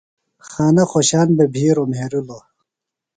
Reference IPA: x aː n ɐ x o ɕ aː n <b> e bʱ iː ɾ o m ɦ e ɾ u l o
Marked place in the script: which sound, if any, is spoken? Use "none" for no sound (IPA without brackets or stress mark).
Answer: b